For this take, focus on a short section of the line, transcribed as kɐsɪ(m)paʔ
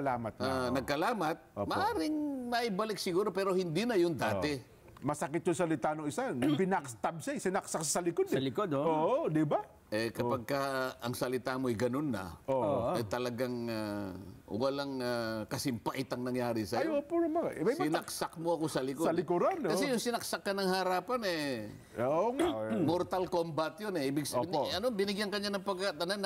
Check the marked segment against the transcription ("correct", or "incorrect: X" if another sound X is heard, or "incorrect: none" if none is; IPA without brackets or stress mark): correct